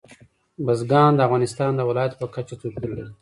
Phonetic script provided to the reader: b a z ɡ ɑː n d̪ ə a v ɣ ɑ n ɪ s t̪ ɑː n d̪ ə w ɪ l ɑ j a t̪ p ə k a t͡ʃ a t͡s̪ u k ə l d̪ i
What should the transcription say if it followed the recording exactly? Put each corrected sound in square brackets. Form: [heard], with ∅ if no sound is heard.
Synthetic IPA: b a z ɡ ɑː n d̪ ə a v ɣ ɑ n ɪ s t̪ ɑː n d̪ ə w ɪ l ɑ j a t̪ p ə k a t͡ʃ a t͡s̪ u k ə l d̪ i